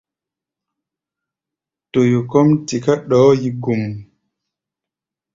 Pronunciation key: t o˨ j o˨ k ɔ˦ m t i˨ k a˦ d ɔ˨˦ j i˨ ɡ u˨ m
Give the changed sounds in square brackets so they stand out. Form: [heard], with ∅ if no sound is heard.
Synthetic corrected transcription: t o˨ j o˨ k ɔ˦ m t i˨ k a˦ [ɗ] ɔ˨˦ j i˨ ɡ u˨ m